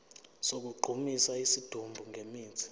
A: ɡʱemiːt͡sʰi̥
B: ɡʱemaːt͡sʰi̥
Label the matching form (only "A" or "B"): A